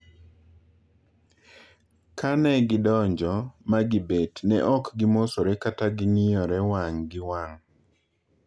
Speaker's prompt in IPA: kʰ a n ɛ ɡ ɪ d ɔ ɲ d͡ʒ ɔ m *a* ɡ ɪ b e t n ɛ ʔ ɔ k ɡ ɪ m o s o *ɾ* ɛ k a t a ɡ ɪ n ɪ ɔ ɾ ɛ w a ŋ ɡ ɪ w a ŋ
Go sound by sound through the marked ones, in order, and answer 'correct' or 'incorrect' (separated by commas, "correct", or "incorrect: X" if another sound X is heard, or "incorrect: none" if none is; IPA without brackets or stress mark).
correct, correct